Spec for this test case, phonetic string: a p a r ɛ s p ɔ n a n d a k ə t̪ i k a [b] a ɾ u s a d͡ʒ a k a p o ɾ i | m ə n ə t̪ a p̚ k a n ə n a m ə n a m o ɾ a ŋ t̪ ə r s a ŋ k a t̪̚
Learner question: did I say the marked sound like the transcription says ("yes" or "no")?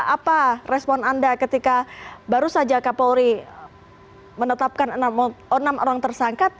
yes